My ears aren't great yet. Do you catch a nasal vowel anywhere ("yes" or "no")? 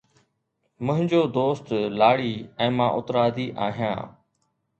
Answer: yes